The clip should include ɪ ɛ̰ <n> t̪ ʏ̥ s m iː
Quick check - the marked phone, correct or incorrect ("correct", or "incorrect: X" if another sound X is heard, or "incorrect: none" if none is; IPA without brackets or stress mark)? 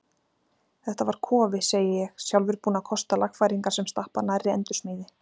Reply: correct